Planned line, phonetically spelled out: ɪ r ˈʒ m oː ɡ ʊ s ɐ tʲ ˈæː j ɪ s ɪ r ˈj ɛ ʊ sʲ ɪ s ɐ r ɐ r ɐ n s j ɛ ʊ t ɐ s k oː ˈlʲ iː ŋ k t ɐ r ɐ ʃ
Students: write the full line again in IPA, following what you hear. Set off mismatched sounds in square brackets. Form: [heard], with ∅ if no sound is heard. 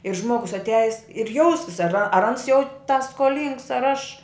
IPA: ɪ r ˈʒ m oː ɡ ʊ s ɐ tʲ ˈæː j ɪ s ɪ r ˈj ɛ ʊ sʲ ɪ s ɐ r ɐ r ɐ n s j ɛ ʊ t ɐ s k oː ˈlʲ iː ŋ k [s] ɐ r ɐ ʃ

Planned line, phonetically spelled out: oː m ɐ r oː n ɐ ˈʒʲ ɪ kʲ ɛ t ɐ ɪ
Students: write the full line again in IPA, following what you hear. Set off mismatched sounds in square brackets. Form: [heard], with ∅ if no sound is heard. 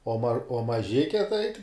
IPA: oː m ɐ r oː [m] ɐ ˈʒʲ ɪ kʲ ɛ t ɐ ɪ

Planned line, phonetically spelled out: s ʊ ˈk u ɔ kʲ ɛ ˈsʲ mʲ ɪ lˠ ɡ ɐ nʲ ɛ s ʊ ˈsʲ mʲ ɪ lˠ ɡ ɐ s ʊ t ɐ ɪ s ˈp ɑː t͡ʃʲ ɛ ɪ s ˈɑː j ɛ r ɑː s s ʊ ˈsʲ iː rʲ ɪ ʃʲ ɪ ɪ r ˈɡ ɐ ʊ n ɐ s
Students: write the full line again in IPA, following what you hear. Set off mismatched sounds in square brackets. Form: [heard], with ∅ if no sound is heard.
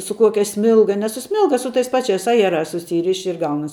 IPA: s ʊ ˈk u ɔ kʲ ɛ ˈsʲ mʲ ɪ lˠ ɡ ɐ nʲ ɛ s ʊ ˈsʲ mʲ ɪ lˠ ɡ ɐ s ʊ t ɐ ɪ s ˈp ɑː t͡ʃʲ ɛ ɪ s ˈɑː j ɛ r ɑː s s ʊ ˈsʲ iː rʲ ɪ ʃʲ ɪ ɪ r ˈɡ ɐ ʊ n ɐ s

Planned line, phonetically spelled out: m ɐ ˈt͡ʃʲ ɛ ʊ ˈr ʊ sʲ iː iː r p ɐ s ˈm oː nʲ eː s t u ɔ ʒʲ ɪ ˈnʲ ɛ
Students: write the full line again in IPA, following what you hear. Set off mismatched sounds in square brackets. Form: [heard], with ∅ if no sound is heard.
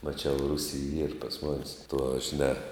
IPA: m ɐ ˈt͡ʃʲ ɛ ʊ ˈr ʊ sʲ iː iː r p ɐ s ˈm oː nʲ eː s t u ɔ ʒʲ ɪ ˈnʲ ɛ

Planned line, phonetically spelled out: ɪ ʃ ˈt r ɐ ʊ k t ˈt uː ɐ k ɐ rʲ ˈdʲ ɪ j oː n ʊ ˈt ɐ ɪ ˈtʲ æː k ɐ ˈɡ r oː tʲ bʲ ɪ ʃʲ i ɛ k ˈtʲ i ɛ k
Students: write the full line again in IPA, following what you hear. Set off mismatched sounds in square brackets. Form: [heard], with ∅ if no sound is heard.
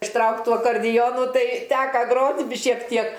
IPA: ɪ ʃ ˈt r ɐ ʊ k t ˈt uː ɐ k ɐ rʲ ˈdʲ ɪ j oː n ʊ ˈt ɐ ɪ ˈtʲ æː k ɐ ˈɡ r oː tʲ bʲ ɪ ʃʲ i ɛ k ˈtʲ i ɛ k

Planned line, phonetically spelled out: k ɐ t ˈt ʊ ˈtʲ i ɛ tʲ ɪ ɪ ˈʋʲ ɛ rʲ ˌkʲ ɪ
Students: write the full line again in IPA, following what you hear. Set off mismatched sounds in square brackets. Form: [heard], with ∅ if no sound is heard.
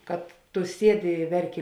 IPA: k ɐ t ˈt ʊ [ˈsʲ] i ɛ [dʲ] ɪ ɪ ˈʋʲ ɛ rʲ ˌkʲ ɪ

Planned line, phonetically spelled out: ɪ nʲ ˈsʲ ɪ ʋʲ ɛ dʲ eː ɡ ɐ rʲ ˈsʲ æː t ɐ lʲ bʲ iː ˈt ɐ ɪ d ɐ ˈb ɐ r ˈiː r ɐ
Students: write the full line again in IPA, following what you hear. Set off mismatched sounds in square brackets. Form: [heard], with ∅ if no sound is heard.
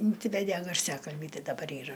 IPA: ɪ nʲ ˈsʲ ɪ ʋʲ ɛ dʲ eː ɡ ɐ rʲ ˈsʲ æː [k] ɐ lʲ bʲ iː ˈt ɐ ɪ d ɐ ˈb ɐ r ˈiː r ɐ

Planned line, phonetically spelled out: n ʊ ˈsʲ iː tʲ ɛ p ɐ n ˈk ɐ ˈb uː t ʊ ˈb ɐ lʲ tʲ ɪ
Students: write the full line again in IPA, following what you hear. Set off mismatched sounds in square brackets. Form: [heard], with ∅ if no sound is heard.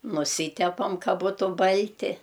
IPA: n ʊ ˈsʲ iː tʲ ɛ p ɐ [m] ˈk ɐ ˈb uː t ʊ ˈb ɐ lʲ tʲ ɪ

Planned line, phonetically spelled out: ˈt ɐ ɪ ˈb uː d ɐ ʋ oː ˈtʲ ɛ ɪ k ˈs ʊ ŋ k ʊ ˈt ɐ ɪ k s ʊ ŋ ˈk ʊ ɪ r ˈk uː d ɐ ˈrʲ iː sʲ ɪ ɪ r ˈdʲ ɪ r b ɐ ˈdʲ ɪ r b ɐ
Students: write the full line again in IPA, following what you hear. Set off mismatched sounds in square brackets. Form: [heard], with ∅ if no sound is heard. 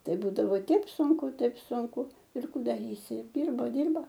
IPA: ˈt ɐ ɪ ˈb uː d ɐ ʋ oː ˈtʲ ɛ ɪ [p] ˈs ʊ ŋ k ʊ ˈt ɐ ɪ [p] s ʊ ŋ ˈk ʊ ɪ r ˈk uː d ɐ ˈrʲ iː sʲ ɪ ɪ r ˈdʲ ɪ r b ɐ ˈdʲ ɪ r b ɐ

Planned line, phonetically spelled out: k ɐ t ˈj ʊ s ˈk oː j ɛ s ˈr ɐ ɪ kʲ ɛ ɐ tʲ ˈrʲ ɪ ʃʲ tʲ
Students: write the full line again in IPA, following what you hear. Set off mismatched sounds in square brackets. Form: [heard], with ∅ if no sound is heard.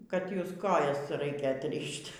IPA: k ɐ t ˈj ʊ s ˈk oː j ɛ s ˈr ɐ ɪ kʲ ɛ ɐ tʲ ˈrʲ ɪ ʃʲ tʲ

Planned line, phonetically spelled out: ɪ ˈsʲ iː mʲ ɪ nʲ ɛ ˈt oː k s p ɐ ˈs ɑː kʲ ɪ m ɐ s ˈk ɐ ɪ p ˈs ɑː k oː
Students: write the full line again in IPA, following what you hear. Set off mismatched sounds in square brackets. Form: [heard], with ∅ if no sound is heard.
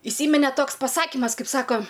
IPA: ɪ ˈsʲ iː mʲ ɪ nʲ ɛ ˈt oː k s p ɐ ˈs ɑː kʲ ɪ m ɐ s ˈk ɐ ɪ p ˈs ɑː k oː

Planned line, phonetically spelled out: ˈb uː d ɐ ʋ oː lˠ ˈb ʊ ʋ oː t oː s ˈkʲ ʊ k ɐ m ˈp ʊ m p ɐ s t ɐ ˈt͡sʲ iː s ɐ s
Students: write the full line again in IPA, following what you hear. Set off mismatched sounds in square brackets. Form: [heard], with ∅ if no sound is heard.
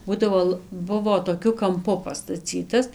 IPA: ˈb uː d ɐ ʋ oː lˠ ˈb ʊ ʋ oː t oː [∅] ˈkʲ ʊ k ɐ m ˈp ʊ [∅] p ɐ s t ɐ ˈt͡sʲ iː [t] ɐ s

